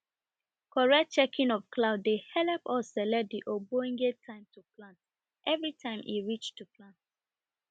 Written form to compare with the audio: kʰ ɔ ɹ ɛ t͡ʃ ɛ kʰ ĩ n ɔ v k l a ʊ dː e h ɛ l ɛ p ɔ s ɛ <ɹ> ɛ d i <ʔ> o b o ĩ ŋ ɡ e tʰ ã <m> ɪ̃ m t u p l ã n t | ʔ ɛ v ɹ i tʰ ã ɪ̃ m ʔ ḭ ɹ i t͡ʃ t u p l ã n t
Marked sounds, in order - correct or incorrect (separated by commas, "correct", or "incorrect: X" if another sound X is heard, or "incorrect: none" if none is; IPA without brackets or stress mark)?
incorrect: l, correct, incorrect: none